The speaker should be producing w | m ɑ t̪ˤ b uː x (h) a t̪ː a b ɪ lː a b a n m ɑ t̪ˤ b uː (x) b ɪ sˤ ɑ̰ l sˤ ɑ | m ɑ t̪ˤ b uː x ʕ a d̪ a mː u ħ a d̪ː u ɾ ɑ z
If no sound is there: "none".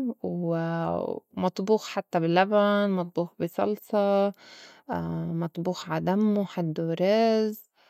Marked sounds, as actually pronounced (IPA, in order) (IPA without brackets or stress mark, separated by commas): ħ, x